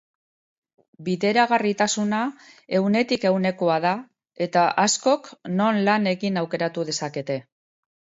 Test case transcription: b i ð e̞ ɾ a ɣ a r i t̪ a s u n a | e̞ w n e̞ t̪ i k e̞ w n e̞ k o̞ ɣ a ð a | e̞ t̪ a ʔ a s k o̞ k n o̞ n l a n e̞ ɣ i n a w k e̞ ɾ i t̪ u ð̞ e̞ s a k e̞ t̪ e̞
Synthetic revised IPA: b i ð e̞ ɾ a ɣ a r i t̪ a s u n a | e̞ w n e̞ t̪ i k e̞ w n e̞ k o̞ a ð a | e̞ t̪ a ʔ a s k o̞ k n o̞ n l a n e̞ ɣ i n a w k e̞ ɾ a t̪ u ð̞ e̞ s a k e̞ t̪ e̞